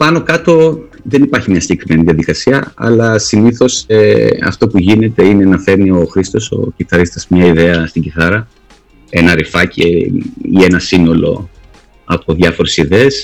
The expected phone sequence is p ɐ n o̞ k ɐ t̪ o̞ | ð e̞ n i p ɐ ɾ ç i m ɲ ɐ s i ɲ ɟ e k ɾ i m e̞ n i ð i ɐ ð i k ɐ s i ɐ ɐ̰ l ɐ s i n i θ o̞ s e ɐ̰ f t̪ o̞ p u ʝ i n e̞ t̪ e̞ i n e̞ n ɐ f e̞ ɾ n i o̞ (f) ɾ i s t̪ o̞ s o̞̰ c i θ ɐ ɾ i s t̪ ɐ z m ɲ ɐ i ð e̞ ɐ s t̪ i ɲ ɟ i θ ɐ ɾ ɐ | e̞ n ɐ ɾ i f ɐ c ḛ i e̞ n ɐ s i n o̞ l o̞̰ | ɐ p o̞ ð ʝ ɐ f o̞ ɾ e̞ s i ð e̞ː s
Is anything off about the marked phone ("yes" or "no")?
yes